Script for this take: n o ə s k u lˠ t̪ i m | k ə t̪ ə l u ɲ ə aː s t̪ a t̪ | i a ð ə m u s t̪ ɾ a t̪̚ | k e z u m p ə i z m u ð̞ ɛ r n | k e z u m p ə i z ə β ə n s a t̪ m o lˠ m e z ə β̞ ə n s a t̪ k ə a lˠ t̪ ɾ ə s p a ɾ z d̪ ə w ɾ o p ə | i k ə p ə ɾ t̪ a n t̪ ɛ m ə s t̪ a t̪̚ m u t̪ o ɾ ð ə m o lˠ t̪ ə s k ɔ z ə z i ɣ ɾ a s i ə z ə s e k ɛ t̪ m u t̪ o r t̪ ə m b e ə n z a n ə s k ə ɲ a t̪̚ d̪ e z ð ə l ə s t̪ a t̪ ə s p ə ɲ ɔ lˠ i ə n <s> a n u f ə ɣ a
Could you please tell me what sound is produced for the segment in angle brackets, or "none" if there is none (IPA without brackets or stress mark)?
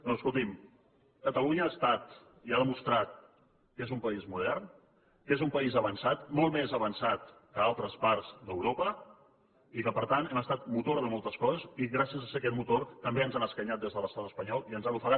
z